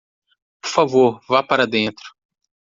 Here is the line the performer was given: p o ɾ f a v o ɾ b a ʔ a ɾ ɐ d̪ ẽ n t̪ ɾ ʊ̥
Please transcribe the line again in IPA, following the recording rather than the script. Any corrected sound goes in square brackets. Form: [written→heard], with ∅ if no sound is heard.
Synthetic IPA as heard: p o ɾ f a v o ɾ [b→v] a [ʔ→p] a ɾ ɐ d̪ ẽ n t̪ ɾ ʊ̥